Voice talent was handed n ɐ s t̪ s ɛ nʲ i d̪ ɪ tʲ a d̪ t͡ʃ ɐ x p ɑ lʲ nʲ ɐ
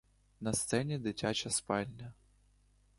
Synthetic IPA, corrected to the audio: n ɐ s t̪ s ɛ nʲ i d̪ ɪ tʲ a t͡ʃ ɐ s p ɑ lʲ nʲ ɐ